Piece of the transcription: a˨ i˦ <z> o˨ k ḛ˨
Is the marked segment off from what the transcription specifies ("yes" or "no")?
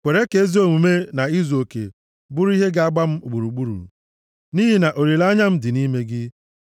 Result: no